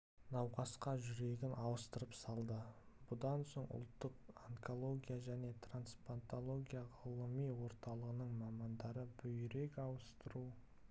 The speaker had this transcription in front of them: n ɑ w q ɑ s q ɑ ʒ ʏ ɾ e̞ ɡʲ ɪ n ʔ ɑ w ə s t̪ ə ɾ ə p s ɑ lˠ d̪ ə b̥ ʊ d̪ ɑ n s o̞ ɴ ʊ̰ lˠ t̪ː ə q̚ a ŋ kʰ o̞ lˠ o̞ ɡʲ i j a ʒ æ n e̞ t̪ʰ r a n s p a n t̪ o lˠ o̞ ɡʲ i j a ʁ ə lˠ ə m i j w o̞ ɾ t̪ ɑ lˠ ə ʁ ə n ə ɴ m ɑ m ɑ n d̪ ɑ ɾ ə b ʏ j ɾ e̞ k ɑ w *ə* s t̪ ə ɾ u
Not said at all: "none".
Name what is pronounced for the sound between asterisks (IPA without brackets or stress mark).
ə